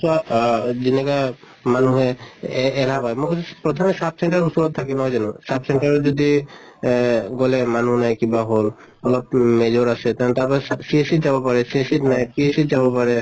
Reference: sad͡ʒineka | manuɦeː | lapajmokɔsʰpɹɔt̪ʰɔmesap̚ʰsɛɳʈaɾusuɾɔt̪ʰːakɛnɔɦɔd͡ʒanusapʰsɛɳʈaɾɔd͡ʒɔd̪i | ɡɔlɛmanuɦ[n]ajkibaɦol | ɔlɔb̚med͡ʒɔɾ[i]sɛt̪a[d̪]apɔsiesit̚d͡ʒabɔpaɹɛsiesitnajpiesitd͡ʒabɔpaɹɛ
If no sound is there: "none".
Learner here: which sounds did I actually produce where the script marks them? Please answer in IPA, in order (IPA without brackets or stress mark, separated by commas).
n, a, t̪